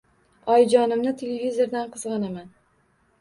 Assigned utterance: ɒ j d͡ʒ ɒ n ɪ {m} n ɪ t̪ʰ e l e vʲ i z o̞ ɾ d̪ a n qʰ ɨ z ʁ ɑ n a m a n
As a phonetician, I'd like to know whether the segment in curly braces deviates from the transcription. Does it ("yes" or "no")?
no